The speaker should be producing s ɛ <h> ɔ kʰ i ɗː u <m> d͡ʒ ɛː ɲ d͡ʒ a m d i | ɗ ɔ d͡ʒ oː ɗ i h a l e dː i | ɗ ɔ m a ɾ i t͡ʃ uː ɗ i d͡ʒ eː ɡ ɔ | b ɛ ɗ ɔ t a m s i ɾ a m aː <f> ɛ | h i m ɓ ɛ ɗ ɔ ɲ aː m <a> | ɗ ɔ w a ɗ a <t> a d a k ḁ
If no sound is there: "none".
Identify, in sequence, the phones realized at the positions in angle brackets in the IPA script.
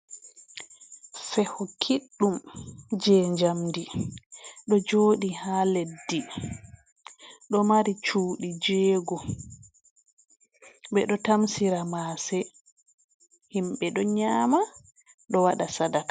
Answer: h, m, s, a, s

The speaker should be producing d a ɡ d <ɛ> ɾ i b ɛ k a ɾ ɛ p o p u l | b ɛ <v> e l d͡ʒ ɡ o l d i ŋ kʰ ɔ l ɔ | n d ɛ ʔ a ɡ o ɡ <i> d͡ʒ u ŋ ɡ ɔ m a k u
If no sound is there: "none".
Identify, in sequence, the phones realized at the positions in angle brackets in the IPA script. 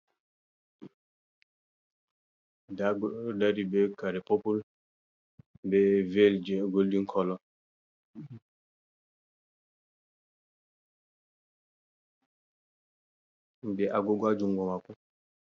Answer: a, v, a

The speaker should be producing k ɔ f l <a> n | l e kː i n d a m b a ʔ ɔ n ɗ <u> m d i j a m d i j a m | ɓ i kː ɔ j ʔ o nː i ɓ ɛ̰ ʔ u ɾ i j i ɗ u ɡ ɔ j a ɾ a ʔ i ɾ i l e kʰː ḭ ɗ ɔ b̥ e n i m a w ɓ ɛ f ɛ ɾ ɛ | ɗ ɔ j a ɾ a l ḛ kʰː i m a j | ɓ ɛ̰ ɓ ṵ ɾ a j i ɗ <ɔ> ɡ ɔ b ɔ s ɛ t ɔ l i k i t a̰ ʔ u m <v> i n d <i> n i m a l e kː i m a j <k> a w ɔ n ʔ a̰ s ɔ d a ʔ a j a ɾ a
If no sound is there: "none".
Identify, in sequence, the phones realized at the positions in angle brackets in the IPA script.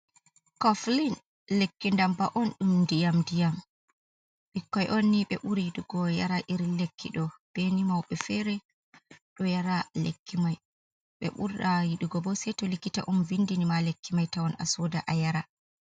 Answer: i, u, u, v, i, t

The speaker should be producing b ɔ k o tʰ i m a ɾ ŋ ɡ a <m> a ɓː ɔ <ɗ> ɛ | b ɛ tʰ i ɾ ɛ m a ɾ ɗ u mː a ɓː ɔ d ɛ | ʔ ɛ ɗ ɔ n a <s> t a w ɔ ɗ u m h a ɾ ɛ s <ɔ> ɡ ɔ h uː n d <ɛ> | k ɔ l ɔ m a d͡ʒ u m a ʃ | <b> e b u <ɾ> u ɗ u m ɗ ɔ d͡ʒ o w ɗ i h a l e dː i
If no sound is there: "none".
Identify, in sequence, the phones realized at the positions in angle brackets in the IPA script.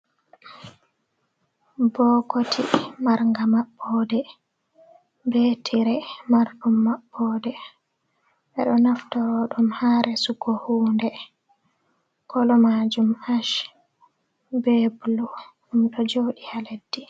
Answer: m, d, f, u, ɛ, b, l

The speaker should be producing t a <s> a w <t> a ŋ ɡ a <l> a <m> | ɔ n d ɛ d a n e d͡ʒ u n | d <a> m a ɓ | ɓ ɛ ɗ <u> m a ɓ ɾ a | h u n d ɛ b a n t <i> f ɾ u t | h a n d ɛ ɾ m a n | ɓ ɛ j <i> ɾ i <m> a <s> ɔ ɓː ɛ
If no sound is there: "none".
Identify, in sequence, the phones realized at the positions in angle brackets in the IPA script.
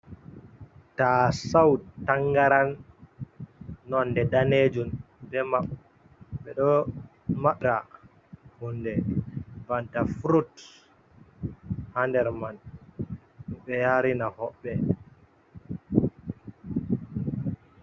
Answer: s, t, ɾ, n, ɛ, ɔ, a, a, n, h

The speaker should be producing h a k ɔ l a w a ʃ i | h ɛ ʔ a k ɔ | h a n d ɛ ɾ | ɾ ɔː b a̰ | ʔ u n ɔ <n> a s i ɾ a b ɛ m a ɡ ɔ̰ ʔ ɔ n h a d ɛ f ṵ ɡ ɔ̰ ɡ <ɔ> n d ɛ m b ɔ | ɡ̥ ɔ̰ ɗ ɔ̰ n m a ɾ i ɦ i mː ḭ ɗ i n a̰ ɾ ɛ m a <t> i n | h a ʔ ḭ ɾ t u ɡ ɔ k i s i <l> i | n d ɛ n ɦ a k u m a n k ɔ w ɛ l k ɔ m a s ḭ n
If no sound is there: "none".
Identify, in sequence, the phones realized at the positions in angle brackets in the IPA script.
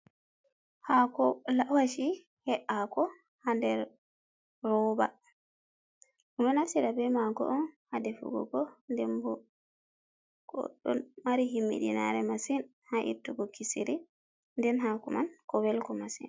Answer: n, ɔ, s, ɾ

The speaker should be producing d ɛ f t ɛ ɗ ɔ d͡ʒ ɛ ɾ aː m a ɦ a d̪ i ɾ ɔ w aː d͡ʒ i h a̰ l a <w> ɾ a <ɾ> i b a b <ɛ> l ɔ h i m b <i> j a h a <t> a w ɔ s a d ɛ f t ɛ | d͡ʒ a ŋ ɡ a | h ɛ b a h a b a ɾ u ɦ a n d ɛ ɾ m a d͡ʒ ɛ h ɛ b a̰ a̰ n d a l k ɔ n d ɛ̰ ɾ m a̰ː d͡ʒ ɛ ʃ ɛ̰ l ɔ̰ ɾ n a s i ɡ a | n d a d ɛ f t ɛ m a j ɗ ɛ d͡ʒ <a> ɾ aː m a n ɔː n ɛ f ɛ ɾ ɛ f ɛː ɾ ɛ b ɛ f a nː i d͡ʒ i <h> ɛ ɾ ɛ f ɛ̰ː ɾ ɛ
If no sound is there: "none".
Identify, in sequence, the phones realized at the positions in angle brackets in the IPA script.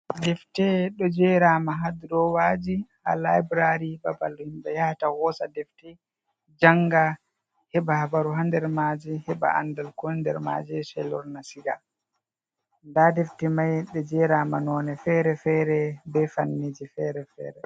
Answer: b, ɾ, a, ɛ, t, ɛ, f

